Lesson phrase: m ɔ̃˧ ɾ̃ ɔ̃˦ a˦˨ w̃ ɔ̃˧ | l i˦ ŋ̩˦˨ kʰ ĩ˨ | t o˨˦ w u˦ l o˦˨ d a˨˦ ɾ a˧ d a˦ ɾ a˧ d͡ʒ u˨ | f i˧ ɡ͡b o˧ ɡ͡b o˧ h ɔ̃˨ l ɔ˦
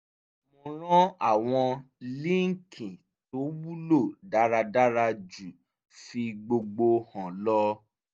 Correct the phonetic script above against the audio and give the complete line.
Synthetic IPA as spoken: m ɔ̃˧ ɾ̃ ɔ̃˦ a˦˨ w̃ ɔ̃˧ | l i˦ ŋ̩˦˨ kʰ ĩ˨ | t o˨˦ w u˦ l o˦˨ d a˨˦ ɾ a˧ d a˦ ɾ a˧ d͡ʒ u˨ | f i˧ ɡ͡b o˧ ɡ͡b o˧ h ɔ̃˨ l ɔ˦

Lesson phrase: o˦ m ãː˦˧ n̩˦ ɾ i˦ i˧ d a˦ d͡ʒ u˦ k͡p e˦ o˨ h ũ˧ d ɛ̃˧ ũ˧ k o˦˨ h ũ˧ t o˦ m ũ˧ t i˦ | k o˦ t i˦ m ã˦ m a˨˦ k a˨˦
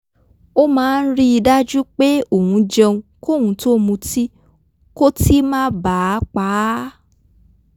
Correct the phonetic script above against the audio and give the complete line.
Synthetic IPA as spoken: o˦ m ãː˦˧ n̩˦ ɾ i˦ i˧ d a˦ d͡ʒ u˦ k͡p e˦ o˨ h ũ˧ d͡ʒ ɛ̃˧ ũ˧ k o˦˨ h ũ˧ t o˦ m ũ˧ t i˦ | k o˦ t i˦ m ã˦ b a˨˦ k͡p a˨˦

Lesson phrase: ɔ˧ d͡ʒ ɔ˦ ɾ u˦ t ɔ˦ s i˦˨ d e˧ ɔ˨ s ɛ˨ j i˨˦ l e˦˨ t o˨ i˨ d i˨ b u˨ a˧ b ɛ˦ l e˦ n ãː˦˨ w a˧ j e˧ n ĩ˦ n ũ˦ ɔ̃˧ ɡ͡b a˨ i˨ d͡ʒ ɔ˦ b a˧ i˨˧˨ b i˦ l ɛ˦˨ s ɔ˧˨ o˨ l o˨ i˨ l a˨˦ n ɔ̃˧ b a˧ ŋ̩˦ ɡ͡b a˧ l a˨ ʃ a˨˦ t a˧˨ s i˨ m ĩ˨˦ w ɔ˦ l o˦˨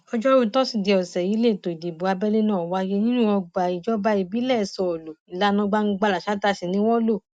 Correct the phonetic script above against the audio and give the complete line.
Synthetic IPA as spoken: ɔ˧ d͡ʒ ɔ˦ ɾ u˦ t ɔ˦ s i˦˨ d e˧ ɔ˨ s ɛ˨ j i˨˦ l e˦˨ t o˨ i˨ d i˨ b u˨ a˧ b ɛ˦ l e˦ n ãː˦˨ w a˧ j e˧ n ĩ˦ n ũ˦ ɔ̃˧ ɡ͡b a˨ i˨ d͡ʒ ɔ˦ b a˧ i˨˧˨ b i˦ l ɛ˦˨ s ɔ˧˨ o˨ l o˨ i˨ l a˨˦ n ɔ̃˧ ɡ͡b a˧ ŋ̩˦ ɡ͡b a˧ l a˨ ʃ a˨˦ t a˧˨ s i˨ n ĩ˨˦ w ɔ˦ l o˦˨

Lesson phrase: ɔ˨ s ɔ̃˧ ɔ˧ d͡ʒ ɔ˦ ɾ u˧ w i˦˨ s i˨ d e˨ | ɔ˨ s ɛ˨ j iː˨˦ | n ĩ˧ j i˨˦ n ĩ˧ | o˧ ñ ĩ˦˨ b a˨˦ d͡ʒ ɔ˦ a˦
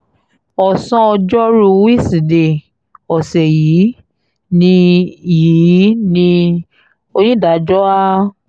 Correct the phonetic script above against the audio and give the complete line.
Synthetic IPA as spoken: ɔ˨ s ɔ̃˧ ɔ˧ d͡ʒ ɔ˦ ɾ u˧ w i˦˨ s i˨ d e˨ | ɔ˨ s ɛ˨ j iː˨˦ | n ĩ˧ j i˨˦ n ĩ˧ | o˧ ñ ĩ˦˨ d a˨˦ d͡ʒ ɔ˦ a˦

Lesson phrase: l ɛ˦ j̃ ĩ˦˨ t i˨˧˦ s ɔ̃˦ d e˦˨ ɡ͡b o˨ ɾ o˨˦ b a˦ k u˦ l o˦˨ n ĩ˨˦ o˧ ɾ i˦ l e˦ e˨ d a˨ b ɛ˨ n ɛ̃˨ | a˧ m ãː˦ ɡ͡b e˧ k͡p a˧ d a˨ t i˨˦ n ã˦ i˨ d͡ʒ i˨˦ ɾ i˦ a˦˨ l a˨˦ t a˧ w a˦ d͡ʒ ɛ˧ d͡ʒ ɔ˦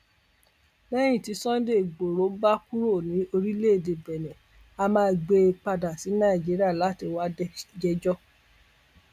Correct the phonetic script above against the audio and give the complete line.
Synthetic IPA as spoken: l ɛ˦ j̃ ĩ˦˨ t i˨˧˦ s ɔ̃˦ d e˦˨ ɡ͡b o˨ ɾ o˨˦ b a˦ k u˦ ɾ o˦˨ n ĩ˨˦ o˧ ɾ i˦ l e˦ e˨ d e˨ b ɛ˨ n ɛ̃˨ | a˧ m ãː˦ ɡ͡b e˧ k͡p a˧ d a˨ s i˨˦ n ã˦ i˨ d͡ʒ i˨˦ ɾ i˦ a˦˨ l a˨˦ t i˧ w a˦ d͡ʒ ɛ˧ d͡ʒ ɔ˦

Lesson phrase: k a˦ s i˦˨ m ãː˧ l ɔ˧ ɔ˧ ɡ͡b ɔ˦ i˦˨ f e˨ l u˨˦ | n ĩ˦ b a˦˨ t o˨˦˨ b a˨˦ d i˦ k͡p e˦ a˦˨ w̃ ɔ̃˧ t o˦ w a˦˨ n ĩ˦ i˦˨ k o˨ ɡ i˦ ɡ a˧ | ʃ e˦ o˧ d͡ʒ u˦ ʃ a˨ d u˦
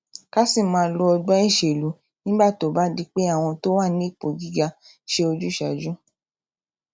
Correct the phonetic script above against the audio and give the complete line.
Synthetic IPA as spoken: k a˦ s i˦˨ m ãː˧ l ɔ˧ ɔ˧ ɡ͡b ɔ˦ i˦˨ ʃ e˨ l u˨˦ | n ĩ˦ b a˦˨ t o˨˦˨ b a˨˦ d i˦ k͡p e˦ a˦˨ w̃ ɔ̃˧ t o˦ w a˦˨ n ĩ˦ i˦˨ k͡p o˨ ɡ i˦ ɡ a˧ | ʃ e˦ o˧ d͡ʒ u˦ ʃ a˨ d͡ʒ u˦

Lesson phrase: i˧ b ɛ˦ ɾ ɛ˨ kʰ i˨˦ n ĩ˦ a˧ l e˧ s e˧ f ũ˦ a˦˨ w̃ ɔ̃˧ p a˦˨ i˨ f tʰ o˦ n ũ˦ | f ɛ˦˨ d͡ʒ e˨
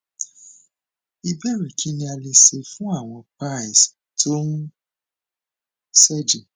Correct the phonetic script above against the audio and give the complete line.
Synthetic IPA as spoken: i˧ b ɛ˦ ɾ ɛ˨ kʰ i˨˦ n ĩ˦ a˧ l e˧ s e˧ f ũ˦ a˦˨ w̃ ɔ̃˧ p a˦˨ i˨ s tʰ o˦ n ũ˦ | s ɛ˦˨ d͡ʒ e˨

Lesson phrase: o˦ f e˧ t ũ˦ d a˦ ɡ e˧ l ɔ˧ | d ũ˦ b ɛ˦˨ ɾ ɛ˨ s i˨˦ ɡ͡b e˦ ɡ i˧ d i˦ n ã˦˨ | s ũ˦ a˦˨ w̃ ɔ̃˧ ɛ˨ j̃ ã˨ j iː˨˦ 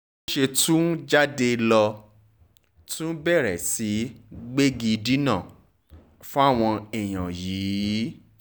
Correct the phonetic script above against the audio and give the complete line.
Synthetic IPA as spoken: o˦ ʃ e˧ t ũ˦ d͡ʒ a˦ d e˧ l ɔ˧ | t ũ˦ b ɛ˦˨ ɾ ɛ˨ s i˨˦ ɡ͡b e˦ ɡ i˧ d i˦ n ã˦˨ | f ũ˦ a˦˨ w̃ ɔ̃˧ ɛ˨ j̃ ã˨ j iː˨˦

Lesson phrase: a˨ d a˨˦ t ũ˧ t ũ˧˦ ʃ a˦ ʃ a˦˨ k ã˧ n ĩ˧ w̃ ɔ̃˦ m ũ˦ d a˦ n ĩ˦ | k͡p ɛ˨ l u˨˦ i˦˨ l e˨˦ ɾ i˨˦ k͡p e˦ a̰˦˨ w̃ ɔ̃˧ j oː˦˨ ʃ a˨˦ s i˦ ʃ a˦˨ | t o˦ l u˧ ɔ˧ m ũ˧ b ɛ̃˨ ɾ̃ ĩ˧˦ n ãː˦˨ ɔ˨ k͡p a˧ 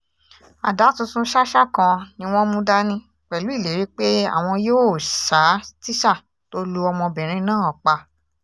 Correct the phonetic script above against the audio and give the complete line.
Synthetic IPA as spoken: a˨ d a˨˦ t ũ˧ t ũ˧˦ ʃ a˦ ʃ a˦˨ k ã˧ n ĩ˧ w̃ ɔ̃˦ m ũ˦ d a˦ n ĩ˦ | k͡p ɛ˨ l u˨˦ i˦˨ l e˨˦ ɾ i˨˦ k͡p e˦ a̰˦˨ w̃ ɔ̃˧ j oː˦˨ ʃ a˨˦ t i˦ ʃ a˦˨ | t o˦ l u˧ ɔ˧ m ɔ̃˧ b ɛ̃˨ ɾ̃ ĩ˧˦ n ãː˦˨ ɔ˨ k͡p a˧

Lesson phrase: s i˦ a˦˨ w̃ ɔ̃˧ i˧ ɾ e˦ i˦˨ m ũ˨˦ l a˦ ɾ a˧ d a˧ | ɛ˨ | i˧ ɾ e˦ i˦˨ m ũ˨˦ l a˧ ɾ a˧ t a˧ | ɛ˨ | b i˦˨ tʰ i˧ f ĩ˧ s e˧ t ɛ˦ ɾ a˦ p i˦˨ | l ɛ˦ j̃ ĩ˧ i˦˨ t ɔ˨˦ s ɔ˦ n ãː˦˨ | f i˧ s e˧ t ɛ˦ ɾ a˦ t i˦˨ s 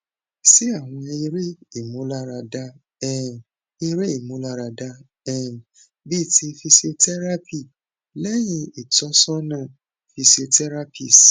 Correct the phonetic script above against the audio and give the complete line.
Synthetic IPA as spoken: s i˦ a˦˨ w̃ ɔ̃˧ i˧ ɾ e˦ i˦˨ m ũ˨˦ l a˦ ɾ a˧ d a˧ | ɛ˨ | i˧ ɾ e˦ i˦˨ m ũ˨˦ l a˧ ɾ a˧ d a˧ | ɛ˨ | b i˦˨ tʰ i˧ f i˧ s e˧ t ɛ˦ ɾ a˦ p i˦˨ | l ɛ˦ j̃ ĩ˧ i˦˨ t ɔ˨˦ s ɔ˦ n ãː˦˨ | f i˧ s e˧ t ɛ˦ ɾ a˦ p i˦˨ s

